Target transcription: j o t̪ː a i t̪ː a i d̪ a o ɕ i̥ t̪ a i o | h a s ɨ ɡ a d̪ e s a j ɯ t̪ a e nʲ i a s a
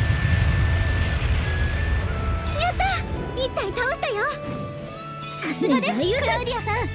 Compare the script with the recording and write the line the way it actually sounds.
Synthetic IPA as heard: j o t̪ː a i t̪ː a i t̪ a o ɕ i̥ t̪ a j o | s a s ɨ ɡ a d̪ e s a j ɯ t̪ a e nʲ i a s a